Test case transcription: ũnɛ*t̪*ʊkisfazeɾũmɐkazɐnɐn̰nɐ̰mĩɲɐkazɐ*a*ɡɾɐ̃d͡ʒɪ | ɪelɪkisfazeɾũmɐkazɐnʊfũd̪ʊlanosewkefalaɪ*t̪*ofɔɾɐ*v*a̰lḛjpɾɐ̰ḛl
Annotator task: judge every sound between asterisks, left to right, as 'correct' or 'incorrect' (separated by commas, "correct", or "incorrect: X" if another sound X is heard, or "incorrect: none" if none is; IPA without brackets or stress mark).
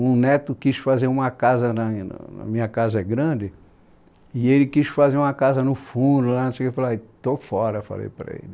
correct, incorrect: ɛ, correct, incorrect: f